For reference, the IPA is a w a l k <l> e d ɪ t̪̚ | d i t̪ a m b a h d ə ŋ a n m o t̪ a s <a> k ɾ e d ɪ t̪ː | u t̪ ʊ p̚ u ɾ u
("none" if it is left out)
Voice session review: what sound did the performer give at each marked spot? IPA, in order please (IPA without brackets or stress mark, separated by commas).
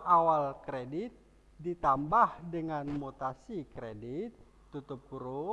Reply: ɾ, i